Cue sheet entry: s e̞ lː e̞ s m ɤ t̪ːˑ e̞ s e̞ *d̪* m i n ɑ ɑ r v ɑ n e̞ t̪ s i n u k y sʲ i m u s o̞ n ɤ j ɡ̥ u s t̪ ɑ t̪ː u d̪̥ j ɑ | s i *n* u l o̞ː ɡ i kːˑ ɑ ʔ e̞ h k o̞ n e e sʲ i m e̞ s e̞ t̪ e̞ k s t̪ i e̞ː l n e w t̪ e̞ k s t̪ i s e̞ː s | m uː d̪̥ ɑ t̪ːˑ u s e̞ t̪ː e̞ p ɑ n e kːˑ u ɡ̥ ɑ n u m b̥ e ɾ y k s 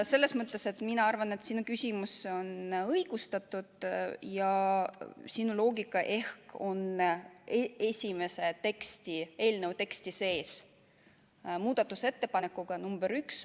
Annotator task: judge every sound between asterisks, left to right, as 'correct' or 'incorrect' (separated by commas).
incorrect, correct